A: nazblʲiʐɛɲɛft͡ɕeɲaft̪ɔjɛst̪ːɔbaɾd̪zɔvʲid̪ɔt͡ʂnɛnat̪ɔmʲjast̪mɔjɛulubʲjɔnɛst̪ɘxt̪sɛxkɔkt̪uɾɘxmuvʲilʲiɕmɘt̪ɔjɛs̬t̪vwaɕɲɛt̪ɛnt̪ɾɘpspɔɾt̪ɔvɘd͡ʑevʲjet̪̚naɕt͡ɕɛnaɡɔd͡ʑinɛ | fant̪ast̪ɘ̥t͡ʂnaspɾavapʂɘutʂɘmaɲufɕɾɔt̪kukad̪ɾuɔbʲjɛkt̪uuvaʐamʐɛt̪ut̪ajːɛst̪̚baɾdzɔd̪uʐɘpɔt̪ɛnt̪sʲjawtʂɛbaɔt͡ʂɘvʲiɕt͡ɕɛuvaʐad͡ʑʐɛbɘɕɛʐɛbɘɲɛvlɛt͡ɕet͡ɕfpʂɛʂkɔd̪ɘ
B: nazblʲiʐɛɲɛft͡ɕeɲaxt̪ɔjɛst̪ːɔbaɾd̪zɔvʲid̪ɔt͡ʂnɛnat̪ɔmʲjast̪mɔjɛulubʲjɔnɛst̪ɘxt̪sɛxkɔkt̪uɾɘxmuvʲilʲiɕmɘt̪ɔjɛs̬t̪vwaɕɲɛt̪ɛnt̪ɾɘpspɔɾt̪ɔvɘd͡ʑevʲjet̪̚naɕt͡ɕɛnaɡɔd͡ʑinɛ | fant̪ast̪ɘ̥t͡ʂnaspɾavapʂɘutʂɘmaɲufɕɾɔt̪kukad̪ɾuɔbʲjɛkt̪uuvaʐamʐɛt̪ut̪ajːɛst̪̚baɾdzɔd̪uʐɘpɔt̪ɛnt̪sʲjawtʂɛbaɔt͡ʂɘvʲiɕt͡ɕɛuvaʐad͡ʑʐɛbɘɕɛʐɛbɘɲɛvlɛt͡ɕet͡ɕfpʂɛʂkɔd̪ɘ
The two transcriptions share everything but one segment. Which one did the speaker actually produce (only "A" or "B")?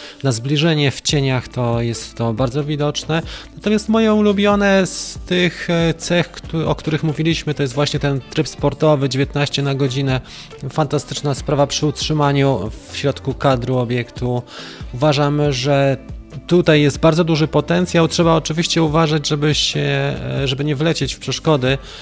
B